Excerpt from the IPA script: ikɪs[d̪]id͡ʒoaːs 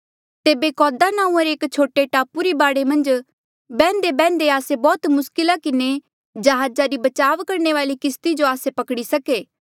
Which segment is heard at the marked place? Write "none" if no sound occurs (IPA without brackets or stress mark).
t̪